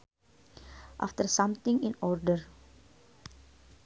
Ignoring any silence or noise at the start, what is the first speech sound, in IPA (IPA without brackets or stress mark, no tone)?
ʔ